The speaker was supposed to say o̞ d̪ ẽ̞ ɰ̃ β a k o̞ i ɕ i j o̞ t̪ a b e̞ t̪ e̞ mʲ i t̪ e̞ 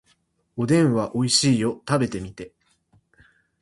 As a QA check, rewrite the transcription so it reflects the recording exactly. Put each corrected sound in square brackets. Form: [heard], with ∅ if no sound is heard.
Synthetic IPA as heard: o̞ d̪ ẽ̞ ɰ̃ β a [ʔ] o̞ i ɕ [iː] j o̞ t̪ a b e̞ t̪ e̞ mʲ i t̪ e̞